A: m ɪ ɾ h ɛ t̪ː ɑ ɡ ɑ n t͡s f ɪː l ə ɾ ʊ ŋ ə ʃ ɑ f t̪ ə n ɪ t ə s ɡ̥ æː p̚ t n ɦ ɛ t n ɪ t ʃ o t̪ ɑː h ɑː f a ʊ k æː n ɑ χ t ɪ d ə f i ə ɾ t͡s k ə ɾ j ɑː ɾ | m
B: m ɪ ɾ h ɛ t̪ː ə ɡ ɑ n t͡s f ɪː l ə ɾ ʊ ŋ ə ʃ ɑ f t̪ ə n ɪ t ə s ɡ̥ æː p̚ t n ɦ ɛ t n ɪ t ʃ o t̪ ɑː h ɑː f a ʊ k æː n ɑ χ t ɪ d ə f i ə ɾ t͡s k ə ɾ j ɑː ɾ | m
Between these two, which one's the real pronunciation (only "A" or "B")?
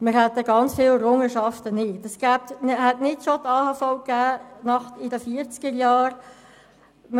B